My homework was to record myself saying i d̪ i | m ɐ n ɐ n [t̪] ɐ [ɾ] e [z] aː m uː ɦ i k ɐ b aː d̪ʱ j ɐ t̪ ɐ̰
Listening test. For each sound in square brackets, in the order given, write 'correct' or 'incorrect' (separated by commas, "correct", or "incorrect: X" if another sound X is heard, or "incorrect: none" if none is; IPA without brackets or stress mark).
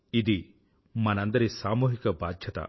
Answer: incorrect: d̪, correct, incorrect: s